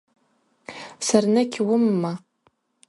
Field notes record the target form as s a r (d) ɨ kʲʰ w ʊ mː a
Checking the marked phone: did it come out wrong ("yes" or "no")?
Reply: yes